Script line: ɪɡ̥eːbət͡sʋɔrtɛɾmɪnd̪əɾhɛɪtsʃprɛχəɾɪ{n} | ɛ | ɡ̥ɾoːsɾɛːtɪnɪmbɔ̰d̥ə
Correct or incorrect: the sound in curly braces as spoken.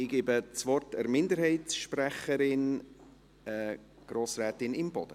correct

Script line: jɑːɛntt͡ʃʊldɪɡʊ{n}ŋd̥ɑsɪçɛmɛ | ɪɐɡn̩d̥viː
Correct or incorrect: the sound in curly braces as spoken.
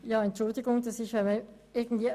incorrect: none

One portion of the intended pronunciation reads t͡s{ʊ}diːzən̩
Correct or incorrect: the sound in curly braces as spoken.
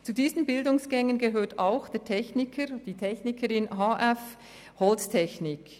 incorrect: u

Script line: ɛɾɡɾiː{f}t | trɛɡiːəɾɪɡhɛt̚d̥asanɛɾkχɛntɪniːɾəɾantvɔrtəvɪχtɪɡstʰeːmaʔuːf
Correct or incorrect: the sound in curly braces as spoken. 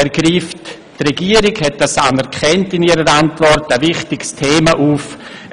correct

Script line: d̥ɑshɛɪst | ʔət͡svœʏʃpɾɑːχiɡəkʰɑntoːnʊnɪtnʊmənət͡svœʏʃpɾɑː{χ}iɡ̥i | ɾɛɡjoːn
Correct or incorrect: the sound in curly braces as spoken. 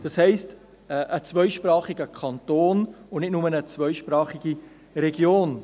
correct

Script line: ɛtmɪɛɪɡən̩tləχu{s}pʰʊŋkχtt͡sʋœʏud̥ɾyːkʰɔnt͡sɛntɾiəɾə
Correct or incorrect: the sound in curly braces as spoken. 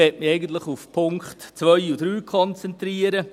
incorrect: f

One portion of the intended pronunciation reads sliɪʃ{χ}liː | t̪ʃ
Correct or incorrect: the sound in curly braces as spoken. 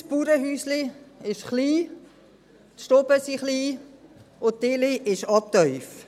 correct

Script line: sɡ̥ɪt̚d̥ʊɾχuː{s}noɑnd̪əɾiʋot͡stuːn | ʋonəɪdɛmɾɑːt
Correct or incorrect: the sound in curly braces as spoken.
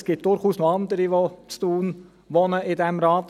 correct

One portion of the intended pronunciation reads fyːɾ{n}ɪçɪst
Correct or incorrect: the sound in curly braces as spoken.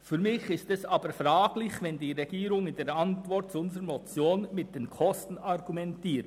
incorrect: m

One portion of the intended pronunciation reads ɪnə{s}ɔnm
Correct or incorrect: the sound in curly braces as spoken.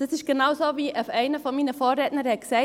incorrect: f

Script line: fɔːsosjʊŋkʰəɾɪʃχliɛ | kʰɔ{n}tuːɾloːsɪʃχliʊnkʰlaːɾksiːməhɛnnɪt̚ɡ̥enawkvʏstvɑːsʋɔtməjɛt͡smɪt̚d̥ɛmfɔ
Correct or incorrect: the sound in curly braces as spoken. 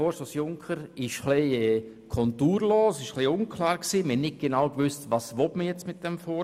correct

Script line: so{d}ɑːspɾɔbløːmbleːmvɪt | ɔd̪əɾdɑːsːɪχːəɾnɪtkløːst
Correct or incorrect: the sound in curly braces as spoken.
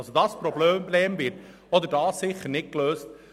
correct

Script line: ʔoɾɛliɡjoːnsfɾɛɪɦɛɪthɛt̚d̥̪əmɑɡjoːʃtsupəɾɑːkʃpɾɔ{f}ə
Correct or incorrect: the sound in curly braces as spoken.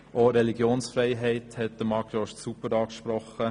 incorrect: χ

